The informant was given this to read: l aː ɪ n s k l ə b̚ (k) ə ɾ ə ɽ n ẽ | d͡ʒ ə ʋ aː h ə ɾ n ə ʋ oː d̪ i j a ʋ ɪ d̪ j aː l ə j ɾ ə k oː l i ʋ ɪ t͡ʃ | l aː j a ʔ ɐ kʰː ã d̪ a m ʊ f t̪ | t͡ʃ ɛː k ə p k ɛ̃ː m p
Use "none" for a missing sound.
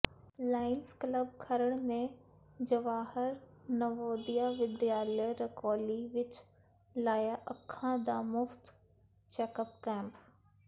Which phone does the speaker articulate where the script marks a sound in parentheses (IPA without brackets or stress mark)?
kʰ